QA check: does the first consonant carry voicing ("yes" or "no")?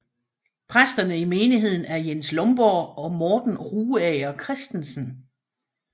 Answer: no